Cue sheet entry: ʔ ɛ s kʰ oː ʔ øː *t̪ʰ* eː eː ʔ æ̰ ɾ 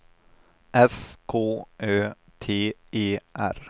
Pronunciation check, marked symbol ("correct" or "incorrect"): correct